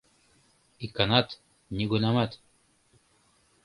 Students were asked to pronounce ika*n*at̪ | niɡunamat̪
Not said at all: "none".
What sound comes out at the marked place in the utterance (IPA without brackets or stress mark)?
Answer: n